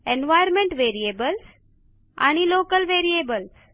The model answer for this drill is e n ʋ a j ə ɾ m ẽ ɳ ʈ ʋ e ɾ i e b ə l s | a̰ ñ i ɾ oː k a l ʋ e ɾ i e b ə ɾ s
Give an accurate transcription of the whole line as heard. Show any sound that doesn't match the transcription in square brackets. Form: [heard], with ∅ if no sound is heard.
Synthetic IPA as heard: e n ʋ a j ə ɾ m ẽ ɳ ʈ ʋ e ɾ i e b ə l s | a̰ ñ i [l] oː k [ə] l ʋ e ɾ i e b ə [l] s